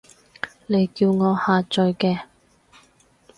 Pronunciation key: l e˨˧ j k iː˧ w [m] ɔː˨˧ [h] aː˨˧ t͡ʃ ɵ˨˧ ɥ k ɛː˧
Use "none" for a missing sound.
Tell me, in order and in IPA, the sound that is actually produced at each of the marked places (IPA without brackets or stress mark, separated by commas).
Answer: ŋ, h